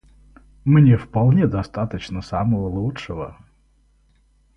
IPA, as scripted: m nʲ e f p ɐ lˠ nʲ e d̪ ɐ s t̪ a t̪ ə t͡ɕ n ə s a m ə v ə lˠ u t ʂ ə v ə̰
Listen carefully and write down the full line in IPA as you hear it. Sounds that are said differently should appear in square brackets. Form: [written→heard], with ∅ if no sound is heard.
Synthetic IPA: m nʲ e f p ɐ lˠ nʲ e d̪ ɐ s t̪ a t̪ ə t͡ɕ n ə s a m ə v ə lˠ u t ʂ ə v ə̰